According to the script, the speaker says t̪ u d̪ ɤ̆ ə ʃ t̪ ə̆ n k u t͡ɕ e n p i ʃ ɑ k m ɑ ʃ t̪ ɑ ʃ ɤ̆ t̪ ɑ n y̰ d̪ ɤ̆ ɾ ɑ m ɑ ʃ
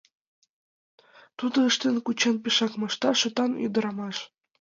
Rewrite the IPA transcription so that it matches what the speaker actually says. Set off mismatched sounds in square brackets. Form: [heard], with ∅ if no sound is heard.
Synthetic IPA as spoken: t̪ u d̪ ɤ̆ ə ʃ t̪ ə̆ n k u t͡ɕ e n p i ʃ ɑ k m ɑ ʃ t̪ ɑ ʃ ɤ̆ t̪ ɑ n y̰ d̪ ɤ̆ ɾ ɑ m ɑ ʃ